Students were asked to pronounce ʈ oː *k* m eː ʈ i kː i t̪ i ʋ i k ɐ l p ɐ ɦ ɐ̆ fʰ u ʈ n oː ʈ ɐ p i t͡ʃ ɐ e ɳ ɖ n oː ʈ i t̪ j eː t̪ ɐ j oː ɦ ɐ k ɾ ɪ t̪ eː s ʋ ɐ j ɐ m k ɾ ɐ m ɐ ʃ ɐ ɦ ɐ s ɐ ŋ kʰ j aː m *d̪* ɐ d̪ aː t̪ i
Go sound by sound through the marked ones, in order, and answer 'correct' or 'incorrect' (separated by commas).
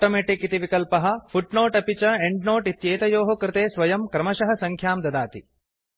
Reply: incorrect, correct